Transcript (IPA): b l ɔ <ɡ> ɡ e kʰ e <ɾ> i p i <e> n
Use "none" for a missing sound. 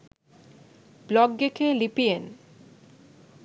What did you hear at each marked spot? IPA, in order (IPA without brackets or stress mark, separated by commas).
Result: ɡ, l, e